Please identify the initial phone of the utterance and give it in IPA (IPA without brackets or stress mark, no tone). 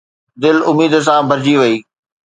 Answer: d̪